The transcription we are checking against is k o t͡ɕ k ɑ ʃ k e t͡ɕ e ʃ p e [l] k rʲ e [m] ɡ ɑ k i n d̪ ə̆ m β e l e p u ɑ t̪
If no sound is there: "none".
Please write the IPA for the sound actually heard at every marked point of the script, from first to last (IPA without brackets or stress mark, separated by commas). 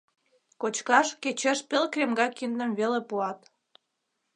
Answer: l, m